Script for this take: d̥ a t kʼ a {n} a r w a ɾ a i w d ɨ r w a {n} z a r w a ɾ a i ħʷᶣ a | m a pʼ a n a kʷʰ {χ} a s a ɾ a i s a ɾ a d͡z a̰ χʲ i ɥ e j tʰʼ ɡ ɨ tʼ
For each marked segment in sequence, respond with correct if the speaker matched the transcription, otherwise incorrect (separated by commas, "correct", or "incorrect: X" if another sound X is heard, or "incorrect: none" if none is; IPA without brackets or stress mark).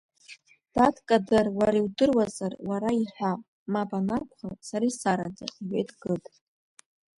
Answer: incorrect: d, incorrect: none, correct